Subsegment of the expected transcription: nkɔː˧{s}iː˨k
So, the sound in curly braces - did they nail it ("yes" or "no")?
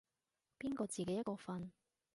no